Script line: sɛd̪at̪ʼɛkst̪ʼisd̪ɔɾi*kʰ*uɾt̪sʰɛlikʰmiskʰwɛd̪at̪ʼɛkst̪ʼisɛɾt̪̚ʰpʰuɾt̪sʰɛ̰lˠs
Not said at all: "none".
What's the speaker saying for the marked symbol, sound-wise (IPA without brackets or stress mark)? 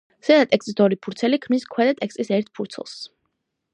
pʰ